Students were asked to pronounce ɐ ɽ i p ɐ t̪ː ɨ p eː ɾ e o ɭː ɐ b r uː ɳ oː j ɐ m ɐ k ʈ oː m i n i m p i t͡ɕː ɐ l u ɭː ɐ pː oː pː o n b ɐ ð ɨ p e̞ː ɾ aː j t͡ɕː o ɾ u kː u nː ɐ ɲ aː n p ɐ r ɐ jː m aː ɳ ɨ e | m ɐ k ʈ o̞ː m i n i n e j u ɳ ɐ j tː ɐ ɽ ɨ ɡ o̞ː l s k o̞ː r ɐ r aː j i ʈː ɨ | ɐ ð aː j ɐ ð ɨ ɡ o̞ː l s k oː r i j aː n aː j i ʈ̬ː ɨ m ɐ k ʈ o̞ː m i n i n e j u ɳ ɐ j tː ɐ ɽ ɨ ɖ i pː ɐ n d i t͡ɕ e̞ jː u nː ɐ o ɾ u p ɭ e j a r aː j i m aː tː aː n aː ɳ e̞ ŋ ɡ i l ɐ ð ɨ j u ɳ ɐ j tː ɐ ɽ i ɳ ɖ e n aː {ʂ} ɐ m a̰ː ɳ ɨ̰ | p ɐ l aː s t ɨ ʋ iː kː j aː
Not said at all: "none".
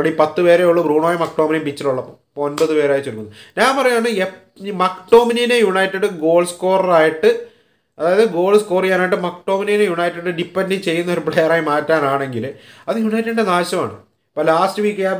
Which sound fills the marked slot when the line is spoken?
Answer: ɕ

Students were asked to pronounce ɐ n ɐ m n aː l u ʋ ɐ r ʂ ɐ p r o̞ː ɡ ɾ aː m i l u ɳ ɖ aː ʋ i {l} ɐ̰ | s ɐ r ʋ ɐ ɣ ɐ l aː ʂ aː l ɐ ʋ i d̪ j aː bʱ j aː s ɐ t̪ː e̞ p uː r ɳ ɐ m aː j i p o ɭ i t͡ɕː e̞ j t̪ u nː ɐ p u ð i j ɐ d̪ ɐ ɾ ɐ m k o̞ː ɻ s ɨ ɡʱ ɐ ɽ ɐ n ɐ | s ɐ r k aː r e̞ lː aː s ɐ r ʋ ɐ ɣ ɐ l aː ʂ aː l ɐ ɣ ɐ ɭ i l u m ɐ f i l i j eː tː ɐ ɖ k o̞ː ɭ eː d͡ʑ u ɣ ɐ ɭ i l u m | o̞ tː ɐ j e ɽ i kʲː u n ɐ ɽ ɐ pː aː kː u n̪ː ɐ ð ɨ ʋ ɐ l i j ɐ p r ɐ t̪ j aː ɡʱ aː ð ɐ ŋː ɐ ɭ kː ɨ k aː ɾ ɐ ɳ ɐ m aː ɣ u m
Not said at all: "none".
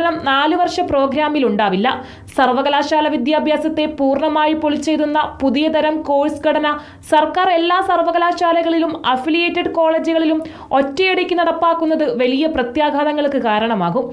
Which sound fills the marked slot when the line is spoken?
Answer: lː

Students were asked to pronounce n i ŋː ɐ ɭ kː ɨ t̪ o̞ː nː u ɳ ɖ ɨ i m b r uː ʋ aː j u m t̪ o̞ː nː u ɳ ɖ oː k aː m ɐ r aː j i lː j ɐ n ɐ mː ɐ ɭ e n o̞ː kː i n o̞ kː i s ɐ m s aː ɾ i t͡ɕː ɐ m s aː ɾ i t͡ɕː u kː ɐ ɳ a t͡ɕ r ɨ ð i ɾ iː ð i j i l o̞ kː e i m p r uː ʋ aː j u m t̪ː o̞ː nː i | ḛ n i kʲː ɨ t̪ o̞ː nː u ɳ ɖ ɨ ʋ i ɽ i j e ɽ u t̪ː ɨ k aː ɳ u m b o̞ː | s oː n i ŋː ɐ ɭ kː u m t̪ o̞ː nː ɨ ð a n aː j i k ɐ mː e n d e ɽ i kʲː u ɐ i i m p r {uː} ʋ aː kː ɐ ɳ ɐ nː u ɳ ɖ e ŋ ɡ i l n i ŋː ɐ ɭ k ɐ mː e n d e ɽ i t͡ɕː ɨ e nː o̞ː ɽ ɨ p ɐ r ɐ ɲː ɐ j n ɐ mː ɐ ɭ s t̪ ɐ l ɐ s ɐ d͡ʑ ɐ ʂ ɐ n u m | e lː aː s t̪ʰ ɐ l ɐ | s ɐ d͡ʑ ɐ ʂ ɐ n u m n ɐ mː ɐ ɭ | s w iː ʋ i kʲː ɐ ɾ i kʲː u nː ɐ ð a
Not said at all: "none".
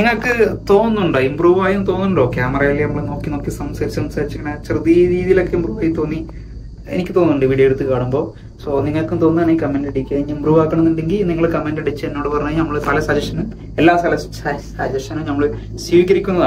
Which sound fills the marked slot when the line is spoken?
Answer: uː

